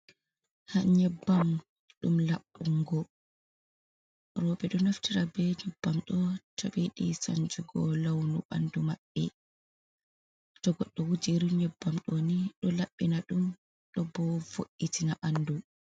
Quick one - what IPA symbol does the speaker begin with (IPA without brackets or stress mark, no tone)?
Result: h